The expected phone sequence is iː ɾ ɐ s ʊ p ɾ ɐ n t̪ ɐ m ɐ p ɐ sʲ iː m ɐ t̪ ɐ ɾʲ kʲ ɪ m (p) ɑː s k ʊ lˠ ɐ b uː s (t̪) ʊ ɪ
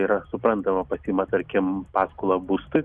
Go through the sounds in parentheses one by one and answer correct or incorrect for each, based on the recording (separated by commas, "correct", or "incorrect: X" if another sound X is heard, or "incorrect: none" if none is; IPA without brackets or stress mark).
correct, correct